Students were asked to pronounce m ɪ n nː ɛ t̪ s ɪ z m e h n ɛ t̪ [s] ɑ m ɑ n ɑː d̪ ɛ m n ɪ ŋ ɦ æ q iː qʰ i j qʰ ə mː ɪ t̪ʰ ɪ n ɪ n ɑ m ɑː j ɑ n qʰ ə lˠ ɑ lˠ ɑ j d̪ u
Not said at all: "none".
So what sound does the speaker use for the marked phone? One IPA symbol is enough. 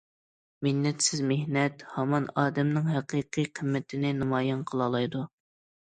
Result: h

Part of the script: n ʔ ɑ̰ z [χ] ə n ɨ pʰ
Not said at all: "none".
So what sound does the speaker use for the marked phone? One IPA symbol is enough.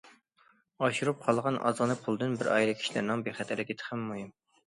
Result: ʁ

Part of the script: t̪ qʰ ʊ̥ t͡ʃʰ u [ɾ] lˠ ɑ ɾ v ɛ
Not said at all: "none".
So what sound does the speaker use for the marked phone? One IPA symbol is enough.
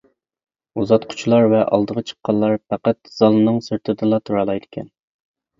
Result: none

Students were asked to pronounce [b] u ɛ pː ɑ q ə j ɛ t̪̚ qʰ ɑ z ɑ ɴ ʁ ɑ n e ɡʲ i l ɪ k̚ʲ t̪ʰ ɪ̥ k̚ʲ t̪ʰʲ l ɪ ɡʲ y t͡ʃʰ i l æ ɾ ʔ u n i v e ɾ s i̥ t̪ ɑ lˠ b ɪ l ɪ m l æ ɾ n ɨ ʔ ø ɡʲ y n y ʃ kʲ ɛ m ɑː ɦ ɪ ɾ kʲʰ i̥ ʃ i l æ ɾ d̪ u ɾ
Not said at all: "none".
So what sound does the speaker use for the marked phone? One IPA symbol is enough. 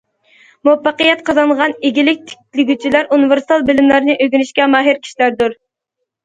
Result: m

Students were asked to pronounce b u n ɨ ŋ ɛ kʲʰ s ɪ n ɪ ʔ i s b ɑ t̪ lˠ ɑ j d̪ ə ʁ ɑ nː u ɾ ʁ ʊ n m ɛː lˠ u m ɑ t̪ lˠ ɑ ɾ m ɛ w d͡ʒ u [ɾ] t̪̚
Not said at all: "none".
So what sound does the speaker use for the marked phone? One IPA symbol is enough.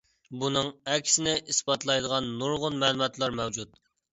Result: none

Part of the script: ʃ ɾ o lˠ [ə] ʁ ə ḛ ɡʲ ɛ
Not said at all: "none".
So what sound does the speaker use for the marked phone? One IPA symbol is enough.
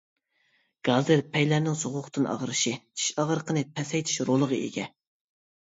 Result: ə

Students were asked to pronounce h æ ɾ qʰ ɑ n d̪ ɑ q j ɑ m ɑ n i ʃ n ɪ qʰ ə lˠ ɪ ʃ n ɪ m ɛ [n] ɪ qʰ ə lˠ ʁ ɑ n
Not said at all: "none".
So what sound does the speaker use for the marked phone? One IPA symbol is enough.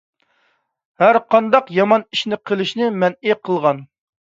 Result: n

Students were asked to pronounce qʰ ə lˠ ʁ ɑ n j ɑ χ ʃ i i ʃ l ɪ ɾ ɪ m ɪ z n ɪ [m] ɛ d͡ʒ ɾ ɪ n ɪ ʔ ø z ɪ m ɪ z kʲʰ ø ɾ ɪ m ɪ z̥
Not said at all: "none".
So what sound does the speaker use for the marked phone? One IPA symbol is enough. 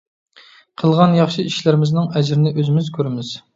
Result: ŋ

